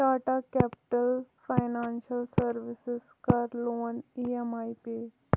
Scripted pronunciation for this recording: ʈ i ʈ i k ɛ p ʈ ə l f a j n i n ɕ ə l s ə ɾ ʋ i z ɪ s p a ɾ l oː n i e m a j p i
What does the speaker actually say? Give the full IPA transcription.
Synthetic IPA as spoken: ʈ a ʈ a k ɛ p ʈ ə l f a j n a n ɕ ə l s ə ɾ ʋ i s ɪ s k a ɾ l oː n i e m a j p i